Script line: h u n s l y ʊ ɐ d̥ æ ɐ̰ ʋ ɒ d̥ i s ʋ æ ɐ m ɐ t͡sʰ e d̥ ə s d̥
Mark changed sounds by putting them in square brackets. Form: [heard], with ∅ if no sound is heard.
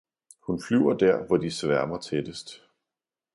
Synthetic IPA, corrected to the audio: h u n [f] l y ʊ ɐ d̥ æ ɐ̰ ʋ ɒ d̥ i s ʋ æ ɐ m ɐ t͡sʰ e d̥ ə s d̥